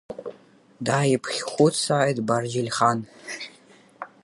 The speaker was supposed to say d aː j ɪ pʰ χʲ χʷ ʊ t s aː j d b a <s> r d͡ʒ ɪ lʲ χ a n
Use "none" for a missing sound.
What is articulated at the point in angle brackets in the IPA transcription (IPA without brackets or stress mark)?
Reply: none